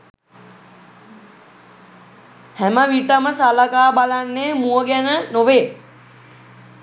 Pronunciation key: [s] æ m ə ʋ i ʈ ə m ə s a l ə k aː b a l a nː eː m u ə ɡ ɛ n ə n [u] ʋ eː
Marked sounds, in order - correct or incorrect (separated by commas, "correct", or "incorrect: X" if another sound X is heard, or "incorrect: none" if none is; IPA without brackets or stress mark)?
incorrect: h, incorrect: o